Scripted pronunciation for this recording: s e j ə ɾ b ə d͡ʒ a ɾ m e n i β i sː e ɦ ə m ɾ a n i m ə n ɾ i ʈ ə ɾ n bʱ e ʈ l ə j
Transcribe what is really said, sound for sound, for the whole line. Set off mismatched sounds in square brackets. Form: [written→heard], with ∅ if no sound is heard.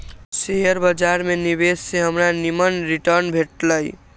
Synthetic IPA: s e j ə ɾ b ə d͡ʒ a ɾ m e n i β [i→e] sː e ɦ ə m ɾ a n i m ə n ɾ i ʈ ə ɾ n bʱ e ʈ l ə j